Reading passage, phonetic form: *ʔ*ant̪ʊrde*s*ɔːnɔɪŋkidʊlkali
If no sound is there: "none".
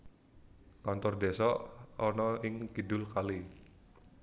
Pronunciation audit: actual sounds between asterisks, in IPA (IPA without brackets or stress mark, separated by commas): k, s